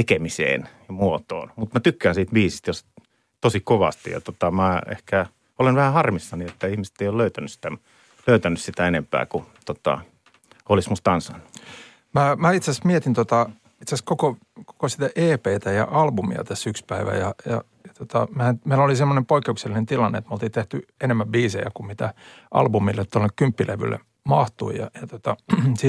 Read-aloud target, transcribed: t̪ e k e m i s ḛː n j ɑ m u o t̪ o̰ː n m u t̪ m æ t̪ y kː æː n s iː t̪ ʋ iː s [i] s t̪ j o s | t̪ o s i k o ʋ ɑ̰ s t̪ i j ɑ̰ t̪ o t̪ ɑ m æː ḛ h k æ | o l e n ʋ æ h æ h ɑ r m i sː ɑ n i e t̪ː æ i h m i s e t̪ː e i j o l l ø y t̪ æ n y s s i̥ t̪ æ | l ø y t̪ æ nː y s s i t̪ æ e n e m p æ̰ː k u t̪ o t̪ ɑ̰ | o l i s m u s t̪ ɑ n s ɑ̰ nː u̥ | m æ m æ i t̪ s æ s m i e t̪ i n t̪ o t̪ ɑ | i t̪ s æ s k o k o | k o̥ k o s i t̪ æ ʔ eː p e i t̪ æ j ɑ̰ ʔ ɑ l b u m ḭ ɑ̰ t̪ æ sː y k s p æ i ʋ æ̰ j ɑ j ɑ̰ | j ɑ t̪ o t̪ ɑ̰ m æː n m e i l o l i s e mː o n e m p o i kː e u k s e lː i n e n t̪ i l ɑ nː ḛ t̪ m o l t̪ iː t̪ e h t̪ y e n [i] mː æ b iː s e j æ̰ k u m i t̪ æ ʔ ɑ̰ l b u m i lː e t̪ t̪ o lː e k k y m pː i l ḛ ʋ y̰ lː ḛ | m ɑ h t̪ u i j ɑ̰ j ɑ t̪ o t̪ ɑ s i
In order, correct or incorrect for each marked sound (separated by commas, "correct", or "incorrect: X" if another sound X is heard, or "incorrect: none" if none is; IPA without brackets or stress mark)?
correct, incorrect: e